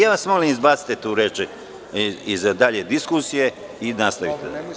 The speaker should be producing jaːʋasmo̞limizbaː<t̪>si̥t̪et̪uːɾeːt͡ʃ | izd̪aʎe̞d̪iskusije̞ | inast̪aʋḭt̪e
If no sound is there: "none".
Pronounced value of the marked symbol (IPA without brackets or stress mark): t̪